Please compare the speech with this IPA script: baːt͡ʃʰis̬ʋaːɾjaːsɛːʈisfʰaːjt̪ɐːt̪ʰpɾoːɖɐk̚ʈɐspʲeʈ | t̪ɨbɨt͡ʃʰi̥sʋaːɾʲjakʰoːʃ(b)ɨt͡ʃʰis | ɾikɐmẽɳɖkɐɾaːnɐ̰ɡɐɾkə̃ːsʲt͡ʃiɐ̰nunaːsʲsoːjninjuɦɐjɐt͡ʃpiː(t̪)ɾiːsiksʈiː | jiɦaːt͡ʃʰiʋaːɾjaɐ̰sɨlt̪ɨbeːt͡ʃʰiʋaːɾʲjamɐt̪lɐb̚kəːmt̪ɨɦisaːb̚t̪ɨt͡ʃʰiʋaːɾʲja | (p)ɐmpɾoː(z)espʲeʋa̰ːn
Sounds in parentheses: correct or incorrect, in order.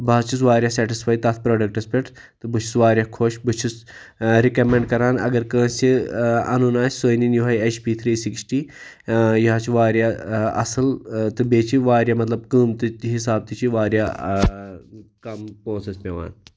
correct, incorrect: t̪ʰ, incorrect: k, incorrect: s

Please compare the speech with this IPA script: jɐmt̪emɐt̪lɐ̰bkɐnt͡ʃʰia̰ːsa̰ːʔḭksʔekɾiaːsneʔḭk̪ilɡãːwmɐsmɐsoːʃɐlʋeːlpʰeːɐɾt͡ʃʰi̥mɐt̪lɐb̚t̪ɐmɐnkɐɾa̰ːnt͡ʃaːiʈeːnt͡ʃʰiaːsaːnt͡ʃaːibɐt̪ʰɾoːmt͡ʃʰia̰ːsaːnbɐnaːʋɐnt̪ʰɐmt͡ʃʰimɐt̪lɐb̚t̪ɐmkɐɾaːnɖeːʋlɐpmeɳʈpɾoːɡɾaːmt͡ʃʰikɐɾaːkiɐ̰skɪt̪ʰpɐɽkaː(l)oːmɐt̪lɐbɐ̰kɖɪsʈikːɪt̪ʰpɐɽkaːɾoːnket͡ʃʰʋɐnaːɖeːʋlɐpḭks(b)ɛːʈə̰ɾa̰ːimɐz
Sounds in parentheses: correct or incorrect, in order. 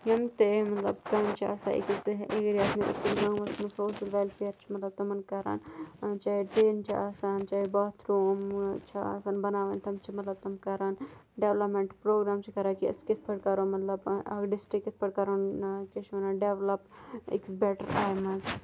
incorrect: ɾ, correct

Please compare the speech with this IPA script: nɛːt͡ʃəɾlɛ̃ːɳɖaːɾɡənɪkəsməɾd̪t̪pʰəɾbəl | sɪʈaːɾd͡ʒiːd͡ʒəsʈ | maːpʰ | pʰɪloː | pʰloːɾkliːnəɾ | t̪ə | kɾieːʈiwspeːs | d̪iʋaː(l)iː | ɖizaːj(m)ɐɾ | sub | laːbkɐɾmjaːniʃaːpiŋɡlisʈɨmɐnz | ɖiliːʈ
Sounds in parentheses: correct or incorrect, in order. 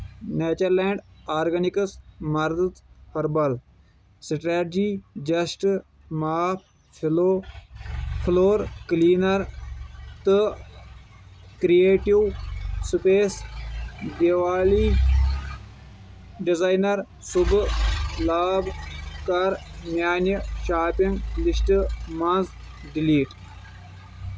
correct, incorrect: n

